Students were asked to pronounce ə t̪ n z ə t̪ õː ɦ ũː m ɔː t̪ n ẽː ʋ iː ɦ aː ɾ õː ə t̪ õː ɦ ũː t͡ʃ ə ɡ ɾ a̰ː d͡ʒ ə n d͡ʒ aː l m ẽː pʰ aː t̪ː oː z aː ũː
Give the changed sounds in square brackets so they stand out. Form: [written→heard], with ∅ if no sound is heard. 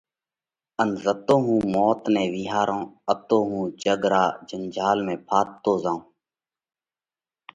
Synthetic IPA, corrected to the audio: ə [t̪→∅] n z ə t̪ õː ɦ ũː m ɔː t̪ n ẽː ʋ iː ɦ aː ɾ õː ə t̪ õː ɦ ũː t͡ʃ ə ɡ ɾ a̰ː d͡ʒ ə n d͡ʒ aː l m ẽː pʰ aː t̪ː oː z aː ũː

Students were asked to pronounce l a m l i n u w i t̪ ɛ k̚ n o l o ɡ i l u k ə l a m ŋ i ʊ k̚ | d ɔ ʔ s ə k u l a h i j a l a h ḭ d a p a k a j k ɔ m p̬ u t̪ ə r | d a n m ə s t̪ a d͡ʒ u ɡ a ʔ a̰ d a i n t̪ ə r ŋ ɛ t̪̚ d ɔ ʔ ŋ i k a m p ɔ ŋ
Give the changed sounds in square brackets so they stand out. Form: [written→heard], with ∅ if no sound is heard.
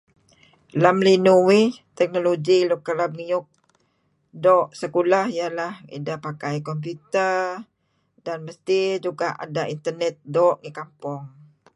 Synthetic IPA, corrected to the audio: l a m l i n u w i t̪ ɛ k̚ n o l o ɡ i l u k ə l a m ŋ i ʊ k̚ | d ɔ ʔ s ə k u l a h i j a l a h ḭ d a p a k a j k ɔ m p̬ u t̪ ə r | d a n m ə s t̪ [a→i] d͡ʒ u ɡ a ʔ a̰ d a i n t̪ ə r [ŋ→n] ɛ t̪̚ d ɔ ʔ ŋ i k a m p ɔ ŋ

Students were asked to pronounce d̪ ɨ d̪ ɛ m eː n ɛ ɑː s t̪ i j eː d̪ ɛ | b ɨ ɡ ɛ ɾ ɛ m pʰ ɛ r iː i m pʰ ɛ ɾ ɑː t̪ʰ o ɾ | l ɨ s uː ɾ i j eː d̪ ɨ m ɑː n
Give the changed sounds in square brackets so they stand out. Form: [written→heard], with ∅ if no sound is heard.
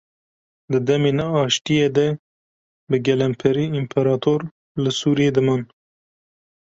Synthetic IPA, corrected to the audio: d̪ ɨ d̪ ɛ m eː n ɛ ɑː [s→ʃ] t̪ i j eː d̪ ɛ | b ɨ ɡ ɛ [ɾ→l] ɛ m pʰ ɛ [r→ɾ] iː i m pʰ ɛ ɾ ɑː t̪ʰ o ɾ | l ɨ s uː ɾ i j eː d̪ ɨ m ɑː n

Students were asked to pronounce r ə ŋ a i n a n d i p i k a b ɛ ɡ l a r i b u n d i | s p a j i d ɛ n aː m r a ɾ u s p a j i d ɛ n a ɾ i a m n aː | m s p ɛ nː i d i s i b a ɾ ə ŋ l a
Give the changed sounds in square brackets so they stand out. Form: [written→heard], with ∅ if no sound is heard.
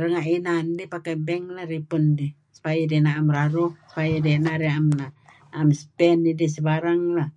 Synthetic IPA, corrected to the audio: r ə ŋ a i n a n d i p [i→a] k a b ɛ [ɡ→ŋ] l a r i [b→p] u n d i | s p a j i d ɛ n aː m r a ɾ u s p a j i d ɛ n a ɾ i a m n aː | m s p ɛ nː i d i s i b a ɾ [ə→a] ŋ l a

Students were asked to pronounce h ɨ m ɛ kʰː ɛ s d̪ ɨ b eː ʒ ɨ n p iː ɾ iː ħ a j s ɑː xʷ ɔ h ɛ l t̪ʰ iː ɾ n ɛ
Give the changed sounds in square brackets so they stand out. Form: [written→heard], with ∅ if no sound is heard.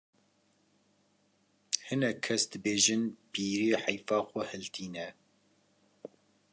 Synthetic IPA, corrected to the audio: h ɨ [m→n] ɛ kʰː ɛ s d̪ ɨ b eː ʒ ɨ n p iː ɾ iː ħ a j [s→f] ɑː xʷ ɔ h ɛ l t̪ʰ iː [ɾ→∅] n ɛ

